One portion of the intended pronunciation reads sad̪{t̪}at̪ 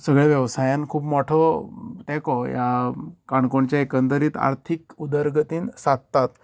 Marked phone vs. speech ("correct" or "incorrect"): correct